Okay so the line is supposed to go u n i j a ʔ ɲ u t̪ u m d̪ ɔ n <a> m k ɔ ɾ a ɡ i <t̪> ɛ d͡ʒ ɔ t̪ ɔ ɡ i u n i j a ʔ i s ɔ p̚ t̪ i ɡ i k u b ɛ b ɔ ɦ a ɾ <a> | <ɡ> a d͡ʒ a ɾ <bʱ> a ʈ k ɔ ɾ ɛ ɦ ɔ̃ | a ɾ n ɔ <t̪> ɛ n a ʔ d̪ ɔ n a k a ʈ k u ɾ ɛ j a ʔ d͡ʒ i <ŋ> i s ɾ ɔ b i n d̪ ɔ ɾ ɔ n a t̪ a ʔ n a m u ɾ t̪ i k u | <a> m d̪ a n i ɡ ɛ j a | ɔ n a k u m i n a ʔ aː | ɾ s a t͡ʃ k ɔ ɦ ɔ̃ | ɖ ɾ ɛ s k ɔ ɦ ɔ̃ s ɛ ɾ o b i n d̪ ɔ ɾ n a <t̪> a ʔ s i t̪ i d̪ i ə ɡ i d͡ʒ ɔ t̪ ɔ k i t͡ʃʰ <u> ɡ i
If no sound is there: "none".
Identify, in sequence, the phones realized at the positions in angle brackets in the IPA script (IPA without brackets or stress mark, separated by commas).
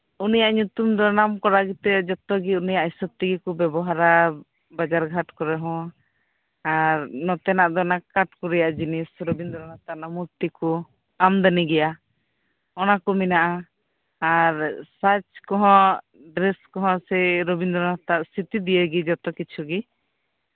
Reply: a, t̪, a, b, ɡʱ, t̪, n, a, t̪, u